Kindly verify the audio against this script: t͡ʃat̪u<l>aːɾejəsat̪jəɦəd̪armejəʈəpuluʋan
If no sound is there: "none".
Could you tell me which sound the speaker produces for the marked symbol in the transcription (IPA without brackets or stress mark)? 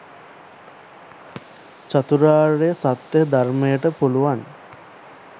ɾ